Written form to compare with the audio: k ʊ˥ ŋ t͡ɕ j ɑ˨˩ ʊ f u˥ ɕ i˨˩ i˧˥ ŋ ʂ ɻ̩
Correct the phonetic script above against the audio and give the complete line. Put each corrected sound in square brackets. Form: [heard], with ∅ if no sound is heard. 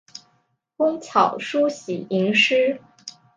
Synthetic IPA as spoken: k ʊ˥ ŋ [t͡ɕʰ] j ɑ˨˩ ʊ [ʂ] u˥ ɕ i˨˩ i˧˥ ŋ ʂ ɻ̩